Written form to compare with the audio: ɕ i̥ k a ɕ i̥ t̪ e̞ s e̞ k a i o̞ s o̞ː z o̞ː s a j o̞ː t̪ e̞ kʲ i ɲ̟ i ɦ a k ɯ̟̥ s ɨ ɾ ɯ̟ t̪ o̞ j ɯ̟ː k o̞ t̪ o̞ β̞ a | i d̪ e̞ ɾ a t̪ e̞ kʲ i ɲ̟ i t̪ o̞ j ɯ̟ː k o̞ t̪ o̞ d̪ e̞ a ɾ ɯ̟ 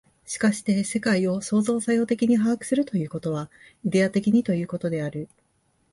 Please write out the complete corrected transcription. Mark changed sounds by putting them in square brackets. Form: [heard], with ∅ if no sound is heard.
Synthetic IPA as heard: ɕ i̥ k a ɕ i̥ t̪ e̞ s e̞ k a i o̞ s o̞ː z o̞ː s a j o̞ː t̪ e̞ kʲ i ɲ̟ i ɦ a k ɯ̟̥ s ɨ ɾ ɯ̟ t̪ o̞ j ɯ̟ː k o̞ t̪ o̞ β̞ a | i d̪ e̞ [∅] a t̪ e̞ kʲ i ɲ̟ i t̪ o̞ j ɯ̟ː k o̞ t̪ o̞ d̪ e̞ a ɾ ɯ̟